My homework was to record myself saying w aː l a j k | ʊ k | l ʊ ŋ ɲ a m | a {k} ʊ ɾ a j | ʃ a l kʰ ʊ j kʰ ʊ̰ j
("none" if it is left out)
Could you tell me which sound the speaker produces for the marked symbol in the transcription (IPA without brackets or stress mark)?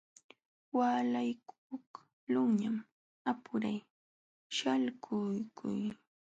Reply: p